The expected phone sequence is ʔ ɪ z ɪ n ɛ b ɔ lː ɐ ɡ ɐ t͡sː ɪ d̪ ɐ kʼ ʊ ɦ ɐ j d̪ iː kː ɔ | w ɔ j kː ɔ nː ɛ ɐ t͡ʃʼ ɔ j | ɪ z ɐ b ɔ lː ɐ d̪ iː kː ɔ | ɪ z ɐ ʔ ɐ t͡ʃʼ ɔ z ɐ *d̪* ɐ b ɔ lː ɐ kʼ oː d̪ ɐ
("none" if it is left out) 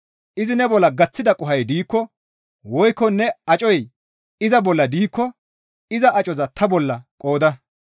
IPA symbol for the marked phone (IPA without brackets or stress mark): t̪